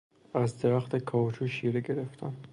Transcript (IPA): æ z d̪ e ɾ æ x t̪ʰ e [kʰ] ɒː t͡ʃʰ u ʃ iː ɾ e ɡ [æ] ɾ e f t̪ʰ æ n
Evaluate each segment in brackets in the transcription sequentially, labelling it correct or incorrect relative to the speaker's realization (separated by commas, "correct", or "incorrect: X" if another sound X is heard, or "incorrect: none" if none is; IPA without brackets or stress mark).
correct, incorrect: e